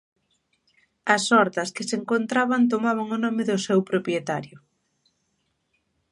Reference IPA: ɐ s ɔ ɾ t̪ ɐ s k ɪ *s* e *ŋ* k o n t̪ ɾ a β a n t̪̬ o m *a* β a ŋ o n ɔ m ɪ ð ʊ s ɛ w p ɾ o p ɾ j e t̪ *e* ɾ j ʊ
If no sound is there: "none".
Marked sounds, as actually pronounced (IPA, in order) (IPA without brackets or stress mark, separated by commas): s, ŋ, a, a